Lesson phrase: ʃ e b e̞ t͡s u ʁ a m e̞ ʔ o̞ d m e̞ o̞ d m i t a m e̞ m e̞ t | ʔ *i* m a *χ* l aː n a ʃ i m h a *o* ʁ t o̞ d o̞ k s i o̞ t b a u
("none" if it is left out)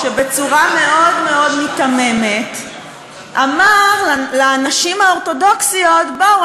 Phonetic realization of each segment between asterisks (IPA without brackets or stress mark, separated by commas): a, ʁ, o